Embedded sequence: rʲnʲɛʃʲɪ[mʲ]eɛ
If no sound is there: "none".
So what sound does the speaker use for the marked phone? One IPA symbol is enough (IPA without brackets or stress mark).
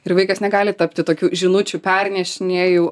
nʲ